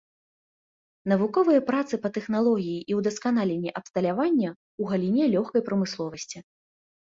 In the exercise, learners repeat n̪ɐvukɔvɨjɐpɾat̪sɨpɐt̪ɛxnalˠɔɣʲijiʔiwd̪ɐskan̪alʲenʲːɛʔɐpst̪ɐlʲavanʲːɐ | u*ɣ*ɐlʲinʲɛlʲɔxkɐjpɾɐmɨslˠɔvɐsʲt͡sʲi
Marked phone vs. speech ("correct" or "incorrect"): correct